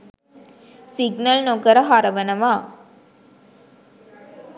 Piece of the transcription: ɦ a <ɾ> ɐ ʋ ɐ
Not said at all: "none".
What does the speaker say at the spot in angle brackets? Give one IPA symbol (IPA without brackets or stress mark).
ɾ